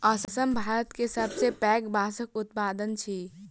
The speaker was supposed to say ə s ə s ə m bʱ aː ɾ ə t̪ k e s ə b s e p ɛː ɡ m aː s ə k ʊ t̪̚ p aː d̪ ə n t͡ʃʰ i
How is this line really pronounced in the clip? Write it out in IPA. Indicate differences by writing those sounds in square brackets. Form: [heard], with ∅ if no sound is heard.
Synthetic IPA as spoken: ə s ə s ə m bʱ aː ɾ ə t̪ k e s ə b s e p ɛː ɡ [b] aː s ə k ʊ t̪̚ p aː d̪ ə n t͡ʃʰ i